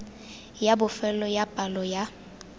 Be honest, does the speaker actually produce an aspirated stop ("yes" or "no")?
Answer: no